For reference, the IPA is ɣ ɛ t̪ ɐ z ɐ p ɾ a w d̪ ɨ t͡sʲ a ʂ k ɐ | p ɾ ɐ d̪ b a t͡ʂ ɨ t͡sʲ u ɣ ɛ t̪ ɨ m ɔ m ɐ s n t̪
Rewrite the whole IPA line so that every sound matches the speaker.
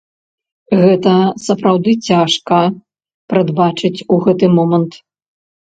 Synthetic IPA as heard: ɣ ɛ t̪ ɐ s ɐ p ɾ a w d̪ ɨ t͡sʲ a ʂ k ɐ | p ɾ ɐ d̪ b a t͡ʂ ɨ t͡sʲ u ɣ ɛ t̪ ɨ m ɔ m ɐ n t̪